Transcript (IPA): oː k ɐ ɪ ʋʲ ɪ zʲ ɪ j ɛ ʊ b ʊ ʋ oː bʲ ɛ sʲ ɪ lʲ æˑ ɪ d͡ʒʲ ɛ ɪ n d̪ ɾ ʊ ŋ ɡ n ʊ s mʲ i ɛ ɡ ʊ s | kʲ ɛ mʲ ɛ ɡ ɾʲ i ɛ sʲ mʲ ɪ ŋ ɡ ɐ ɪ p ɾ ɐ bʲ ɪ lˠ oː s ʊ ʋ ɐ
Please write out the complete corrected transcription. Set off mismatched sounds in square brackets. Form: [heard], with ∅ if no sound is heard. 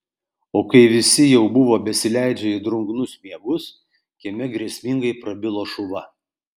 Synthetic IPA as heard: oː k ɐ ɪ ʋʲ ɪ [sʲ] ɪ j ɛ ʊ b ʊ ʋ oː bʲ ɛ sʲ ɪ lʲ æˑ ɪ d͡ʒʲ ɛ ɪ [∅] d̪ ɾ ʊ ŋ ɡ n ʊ s mʲ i ɛ ɡ ʊ s | kʲ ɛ mʲ ɛ ɡ ɾʲ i ɛ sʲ mʲ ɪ ŋ ɡ ɐ ɪ p ɾ ɐ bʲ ɪ lˠ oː [ʃ] ʊ ʋ ɐ